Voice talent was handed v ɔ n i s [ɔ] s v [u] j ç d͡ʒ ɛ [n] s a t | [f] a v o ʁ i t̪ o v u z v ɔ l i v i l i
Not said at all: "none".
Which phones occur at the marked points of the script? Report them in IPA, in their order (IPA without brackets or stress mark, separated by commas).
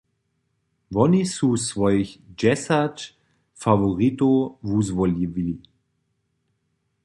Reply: u, ɔ, none, f